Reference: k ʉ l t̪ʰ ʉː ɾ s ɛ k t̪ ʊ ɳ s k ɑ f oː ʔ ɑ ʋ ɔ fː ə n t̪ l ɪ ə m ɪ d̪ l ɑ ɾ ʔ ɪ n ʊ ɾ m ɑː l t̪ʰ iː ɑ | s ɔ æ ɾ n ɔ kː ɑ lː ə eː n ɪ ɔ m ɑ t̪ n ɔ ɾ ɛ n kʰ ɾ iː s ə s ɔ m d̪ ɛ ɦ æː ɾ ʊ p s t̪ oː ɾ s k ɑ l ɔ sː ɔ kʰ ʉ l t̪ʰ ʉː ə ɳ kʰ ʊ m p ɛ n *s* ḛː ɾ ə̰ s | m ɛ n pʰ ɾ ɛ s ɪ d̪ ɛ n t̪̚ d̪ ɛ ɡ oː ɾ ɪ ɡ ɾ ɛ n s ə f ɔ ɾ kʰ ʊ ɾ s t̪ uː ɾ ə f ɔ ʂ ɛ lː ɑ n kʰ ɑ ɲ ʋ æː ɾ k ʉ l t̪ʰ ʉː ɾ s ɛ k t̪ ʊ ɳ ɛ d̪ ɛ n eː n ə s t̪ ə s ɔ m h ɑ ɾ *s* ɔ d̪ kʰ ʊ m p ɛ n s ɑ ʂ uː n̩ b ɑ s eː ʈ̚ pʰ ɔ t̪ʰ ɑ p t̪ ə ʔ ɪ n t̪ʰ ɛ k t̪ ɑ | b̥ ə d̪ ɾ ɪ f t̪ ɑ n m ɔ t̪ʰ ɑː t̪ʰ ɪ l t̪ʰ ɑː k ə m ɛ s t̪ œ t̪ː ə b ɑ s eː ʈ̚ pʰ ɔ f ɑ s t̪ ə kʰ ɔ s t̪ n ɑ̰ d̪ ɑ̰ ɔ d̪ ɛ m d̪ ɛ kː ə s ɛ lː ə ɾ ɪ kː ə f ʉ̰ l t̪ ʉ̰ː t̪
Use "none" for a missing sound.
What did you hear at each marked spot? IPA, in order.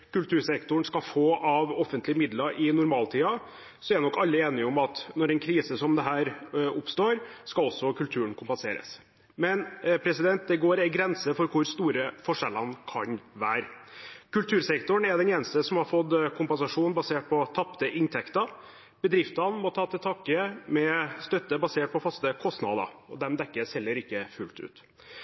s, f

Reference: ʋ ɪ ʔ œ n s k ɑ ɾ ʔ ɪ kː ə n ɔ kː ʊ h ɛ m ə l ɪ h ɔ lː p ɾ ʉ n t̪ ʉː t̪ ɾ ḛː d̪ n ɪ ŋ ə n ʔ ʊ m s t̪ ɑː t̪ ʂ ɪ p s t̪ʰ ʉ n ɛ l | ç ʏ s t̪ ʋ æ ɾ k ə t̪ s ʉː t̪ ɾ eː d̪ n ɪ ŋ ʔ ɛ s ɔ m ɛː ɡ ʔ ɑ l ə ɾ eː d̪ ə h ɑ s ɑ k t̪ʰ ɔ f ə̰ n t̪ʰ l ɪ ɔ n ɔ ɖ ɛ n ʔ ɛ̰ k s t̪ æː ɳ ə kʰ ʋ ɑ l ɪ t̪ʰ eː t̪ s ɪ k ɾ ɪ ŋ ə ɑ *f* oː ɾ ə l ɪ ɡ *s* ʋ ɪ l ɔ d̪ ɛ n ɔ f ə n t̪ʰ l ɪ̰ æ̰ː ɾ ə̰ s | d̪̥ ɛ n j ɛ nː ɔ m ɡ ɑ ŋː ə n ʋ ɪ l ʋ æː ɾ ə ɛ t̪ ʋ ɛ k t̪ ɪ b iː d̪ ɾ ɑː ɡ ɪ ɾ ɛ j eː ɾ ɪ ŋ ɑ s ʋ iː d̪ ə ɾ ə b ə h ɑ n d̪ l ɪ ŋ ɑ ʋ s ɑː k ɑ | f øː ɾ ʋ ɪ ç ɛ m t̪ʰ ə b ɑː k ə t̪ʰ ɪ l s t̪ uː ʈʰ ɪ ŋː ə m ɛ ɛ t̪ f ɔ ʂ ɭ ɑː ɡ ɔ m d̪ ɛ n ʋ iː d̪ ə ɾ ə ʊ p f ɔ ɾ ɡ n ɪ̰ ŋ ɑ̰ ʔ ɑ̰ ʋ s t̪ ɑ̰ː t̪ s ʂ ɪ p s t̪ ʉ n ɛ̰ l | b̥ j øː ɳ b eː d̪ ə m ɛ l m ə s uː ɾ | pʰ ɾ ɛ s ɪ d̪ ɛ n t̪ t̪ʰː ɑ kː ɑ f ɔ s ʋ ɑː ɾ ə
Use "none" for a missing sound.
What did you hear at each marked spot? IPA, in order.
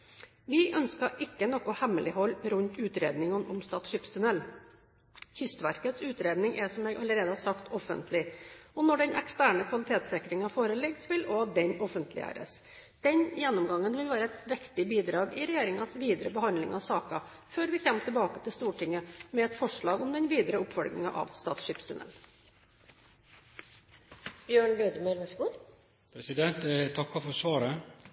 f, s

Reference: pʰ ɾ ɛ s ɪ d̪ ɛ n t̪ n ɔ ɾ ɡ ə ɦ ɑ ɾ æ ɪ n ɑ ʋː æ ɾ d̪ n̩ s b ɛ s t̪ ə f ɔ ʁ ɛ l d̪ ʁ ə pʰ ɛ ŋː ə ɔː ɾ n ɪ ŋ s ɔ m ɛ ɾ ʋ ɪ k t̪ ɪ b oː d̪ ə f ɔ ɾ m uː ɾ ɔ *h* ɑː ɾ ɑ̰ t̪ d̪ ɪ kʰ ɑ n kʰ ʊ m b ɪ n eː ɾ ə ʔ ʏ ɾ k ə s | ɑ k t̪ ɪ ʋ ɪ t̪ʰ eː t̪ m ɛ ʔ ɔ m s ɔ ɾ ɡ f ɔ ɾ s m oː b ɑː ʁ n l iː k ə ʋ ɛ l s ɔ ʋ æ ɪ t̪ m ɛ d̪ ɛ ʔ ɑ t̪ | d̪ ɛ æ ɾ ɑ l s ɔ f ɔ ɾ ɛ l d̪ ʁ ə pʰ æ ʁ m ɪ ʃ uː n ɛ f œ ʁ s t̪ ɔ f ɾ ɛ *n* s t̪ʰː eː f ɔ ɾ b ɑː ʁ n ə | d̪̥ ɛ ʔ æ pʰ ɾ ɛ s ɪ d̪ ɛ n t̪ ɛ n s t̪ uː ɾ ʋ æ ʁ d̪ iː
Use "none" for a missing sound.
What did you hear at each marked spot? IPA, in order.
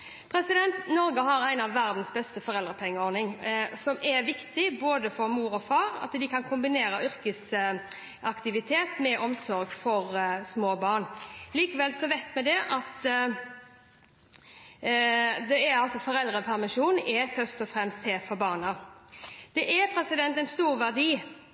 f, m

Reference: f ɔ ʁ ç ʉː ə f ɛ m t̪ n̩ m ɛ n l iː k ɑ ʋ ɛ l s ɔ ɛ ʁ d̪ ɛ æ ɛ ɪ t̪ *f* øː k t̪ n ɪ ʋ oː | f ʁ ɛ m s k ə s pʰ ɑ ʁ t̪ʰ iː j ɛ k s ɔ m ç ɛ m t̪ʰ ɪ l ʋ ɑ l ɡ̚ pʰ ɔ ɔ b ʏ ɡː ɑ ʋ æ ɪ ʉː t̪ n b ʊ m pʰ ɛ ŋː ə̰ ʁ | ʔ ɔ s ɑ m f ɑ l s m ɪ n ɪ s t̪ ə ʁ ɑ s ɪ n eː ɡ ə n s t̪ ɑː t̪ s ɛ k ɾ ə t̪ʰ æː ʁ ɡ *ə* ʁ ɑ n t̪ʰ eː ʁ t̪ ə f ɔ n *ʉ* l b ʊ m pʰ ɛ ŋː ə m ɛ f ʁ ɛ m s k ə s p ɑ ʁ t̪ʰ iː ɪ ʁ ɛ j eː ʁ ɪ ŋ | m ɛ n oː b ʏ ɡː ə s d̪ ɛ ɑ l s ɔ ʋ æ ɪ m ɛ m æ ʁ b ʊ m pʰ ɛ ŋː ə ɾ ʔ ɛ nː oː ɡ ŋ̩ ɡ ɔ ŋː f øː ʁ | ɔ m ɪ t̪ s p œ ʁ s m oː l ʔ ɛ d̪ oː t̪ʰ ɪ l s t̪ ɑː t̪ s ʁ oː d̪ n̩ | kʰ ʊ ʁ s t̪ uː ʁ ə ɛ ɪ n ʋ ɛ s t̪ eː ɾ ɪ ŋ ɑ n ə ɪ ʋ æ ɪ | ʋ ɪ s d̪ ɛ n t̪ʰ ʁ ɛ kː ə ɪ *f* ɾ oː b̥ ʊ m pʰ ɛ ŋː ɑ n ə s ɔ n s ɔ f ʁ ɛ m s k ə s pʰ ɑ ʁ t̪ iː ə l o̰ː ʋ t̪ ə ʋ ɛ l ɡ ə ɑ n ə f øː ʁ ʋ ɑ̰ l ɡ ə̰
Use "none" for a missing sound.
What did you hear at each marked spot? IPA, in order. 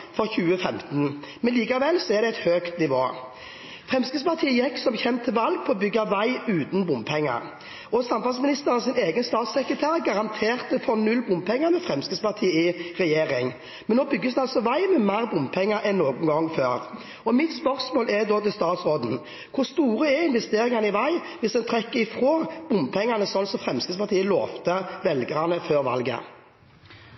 h, ɑ, ʉ, f

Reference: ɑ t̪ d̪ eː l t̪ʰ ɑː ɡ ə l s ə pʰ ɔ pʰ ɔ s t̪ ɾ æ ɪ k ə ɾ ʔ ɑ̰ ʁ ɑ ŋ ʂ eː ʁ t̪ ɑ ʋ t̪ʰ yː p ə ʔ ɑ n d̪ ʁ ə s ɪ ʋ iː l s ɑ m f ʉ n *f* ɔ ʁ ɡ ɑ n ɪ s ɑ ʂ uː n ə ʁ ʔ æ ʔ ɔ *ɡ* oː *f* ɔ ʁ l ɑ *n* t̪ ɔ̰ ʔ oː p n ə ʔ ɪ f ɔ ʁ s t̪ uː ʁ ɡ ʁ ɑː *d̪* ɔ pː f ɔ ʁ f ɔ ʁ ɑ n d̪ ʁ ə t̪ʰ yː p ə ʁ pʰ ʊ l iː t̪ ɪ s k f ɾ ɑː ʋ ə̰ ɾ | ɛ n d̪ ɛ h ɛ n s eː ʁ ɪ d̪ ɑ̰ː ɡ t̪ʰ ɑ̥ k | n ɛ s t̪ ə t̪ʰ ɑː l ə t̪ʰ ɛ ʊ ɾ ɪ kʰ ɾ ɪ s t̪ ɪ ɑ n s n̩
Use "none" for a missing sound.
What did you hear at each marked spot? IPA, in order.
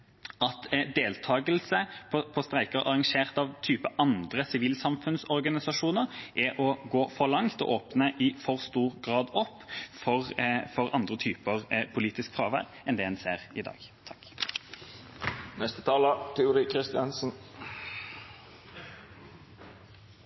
s, ɡ, f, ŋ, d̪

